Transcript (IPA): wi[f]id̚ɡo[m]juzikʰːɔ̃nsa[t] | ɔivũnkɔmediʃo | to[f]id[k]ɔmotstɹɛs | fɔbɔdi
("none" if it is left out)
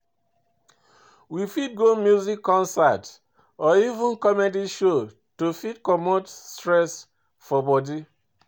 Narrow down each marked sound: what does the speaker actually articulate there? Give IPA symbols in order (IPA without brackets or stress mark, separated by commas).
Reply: f, m, t, f, k